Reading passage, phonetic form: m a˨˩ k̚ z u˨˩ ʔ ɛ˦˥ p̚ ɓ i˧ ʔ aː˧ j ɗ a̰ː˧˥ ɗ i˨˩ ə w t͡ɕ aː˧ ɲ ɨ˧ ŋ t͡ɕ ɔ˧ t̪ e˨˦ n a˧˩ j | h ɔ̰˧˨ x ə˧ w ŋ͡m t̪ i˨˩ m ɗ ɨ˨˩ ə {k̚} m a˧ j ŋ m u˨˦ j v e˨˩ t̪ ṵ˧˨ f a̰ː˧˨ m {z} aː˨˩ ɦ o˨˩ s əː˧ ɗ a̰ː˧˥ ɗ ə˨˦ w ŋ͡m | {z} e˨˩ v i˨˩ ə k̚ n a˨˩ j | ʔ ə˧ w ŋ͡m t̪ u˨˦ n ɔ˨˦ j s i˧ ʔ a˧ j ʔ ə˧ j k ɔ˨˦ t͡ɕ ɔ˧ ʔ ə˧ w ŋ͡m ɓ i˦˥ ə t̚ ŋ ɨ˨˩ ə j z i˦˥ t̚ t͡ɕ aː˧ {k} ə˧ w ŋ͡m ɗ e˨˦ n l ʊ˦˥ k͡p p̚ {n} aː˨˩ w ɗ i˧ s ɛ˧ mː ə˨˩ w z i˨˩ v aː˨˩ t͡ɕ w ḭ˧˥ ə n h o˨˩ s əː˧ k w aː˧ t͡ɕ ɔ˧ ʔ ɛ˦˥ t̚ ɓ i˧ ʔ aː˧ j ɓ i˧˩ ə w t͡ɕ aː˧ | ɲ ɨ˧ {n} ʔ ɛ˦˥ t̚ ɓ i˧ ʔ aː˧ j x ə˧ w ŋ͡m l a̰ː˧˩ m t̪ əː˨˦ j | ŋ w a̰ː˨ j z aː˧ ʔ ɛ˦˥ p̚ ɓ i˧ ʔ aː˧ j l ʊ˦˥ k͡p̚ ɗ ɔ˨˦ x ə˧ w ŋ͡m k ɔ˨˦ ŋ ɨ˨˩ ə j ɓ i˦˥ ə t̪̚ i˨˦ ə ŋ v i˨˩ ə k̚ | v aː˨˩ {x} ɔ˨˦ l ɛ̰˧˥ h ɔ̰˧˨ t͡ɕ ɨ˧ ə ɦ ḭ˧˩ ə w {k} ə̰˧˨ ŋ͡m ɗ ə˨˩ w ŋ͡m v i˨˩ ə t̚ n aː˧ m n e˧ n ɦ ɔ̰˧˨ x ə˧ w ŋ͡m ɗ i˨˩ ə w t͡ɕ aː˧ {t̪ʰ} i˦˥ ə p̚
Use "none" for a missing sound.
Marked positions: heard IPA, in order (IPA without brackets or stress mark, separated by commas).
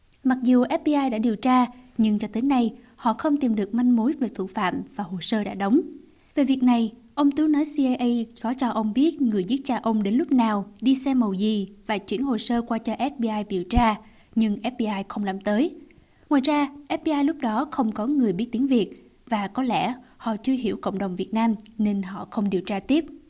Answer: k̚, v, v, ʔ, n, ŋ, k, k, t̪